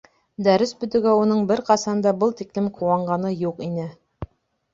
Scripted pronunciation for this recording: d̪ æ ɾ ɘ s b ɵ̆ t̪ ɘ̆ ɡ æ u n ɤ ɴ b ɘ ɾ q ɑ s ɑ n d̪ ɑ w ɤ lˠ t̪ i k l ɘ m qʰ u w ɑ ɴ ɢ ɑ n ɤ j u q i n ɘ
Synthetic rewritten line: d̪ æ ɾ ɘ s b ɵ̆ t̪ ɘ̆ ɡ æ u n ɤ ɴ b ɘ ɾ q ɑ s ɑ n d̪ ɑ b ɤ lˠ t̪ i k l ɘ m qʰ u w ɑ ɴ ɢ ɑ n ɤ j u q i n ɘ

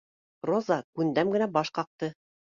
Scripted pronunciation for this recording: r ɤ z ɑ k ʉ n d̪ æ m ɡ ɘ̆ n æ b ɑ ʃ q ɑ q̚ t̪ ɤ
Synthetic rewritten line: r o z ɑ k ʉ n d̪ æ m ɡ ɘ̆ n æ b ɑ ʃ q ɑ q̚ t̪ ɤ

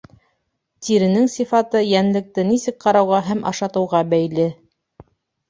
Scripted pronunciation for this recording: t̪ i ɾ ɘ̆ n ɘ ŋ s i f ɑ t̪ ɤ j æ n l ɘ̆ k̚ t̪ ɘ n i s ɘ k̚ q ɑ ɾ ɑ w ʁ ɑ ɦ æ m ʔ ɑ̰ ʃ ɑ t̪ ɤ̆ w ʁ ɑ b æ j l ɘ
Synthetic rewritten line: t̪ i ɾ ɘ̆ n ɘ ŋ s i f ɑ t̪ ɤ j æ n l ɘ̆ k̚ t̪ ɘ n i s ɘ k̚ q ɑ ɾ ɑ w ʁ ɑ ɦ æ m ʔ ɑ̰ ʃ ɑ t̪ ɤ̆ w ʁ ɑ b æ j l ɘ

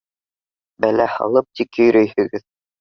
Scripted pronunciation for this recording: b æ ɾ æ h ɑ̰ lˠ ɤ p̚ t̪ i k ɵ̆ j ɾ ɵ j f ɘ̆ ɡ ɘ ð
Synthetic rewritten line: b æ l æ h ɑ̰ lˠ ɤ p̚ t̪ i k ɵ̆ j ɾ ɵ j h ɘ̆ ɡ ɘ ð

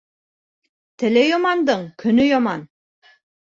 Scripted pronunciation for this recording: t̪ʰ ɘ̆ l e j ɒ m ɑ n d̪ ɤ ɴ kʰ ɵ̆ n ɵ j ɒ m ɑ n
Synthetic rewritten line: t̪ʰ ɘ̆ l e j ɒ m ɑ n d̪ ɤ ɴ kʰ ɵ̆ n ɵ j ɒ m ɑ n

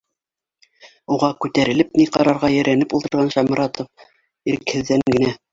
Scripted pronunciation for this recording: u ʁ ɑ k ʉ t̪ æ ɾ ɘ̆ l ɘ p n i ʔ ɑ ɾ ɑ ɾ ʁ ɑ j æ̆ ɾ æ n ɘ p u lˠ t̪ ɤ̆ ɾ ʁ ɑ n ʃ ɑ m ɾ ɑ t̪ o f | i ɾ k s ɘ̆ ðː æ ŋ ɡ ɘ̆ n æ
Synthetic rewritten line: u ʁ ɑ k ʉ t̪ æ ɾ ɘ̆ l ɘ p n i q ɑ ɾ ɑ ɾ ʁ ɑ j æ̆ ɾ æ n ɘ p u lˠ t̪ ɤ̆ ɾ ʁ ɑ n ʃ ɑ m ɾ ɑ t̪ o f | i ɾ k h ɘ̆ ðː æ ŋ ɡ ɘ̆ n æ

